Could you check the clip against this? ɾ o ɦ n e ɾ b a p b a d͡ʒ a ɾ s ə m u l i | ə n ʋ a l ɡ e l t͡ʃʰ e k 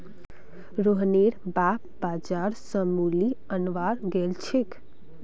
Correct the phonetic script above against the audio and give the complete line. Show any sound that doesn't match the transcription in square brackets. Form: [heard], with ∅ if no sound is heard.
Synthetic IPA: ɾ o ɦ n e ɾ b a p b a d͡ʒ a ɾ s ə m u l i | ə n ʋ a [ɾ] ɡ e l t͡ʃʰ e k